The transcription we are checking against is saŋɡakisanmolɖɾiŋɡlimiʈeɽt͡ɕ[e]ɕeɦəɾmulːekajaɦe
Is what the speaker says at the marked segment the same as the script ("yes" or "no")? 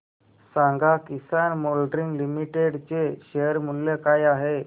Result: yes